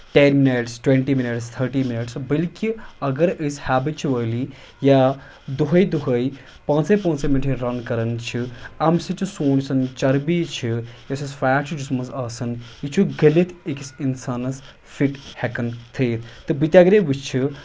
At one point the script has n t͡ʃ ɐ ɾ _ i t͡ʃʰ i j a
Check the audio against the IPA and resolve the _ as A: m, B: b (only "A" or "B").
B